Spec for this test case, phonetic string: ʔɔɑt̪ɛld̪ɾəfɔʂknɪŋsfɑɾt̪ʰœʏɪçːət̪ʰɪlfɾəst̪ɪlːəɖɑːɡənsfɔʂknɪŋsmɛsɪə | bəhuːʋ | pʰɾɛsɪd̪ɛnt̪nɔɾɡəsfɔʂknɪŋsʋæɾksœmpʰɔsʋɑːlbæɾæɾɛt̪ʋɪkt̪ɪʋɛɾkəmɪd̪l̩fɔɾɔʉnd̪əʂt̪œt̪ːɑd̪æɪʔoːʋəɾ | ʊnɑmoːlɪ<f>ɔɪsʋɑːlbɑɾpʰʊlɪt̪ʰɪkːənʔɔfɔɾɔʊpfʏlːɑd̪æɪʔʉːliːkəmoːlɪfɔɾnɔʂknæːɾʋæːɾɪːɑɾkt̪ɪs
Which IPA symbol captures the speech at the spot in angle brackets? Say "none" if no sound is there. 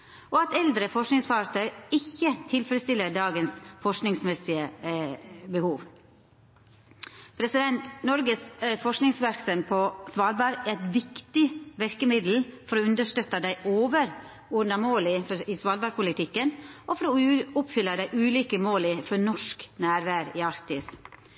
f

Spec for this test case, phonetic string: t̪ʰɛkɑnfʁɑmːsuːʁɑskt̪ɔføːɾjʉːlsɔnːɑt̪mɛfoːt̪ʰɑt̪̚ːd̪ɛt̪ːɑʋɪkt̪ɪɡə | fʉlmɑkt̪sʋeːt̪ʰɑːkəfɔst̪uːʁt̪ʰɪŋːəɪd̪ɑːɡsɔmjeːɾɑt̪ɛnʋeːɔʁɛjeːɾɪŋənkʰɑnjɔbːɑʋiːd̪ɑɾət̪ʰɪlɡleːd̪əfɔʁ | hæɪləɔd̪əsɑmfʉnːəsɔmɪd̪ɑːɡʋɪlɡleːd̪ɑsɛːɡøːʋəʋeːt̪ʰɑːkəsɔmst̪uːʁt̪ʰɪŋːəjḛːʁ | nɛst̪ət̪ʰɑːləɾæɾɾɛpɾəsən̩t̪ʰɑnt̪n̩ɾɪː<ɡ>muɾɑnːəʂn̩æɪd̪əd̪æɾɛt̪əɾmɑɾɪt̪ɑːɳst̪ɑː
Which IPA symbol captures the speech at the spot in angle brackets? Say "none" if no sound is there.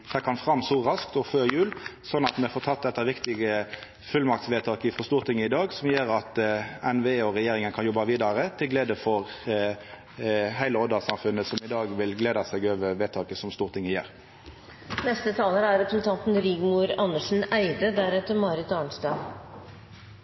ɡ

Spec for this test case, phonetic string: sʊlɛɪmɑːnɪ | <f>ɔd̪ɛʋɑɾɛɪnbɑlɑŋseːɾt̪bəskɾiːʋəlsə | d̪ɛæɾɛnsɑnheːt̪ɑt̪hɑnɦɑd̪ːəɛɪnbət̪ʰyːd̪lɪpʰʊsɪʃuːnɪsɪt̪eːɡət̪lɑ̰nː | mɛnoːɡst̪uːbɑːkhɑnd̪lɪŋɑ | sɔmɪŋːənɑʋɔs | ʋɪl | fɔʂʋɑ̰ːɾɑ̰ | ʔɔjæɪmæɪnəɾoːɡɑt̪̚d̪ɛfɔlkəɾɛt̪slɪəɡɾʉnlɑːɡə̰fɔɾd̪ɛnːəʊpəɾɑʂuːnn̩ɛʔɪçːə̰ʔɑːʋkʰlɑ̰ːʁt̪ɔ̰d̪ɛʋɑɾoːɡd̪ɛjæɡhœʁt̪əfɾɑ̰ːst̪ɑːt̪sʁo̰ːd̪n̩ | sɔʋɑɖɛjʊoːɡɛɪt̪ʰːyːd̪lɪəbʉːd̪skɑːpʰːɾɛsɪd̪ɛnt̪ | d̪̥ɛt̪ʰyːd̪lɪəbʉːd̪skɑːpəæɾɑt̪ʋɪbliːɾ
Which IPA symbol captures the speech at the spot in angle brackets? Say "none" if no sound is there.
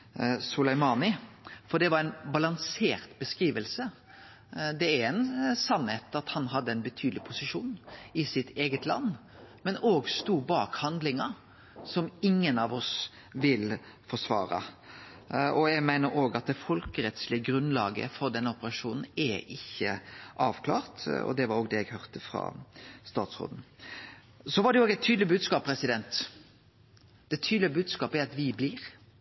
f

